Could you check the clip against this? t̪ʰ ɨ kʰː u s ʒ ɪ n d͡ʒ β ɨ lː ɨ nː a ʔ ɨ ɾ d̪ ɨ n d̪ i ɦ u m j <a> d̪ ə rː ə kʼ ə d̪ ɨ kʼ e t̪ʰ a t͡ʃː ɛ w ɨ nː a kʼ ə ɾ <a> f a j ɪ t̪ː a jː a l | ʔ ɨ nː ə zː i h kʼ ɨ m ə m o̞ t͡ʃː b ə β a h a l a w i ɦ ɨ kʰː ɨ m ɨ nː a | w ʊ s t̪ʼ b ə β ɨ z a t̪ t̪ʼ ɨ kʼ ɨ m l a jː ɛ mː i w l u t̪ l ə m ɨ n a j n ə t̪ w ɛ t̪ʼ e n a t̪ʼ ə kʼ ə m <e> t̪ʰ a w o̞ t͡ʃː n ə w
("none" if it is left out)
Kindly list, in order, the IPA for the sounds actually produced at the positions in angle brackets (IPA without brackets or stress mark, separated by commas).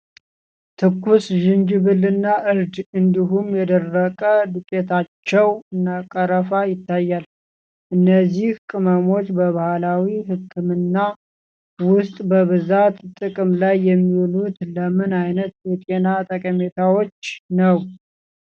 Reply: ɛ, ə, e